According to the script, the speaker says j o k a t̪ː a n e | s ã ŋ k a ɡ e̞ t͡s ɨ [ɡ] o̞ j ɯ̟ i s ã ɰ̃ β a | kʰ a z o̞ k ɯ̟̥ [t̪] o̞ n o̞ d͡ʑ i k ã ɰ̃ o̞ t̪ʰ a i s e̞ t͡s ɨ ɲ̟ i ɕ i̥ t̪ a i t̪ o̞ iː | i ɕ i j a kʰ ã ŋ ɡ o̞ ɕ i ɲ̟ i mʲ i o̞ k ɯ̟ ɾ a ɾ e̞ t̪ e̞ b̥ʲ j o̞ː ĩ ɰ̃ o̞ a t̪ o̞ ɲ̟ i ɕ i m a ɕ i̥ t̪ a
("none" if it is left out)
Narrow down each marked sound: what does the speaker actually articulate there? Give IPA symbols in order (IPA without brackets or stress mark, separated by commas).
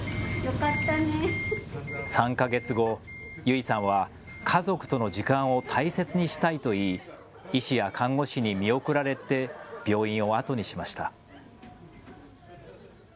ɡ, t̪